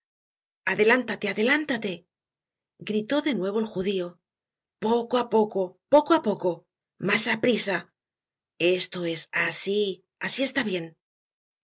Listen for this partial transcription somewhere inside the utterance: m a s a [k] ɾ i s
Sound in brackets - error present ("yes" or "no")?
yes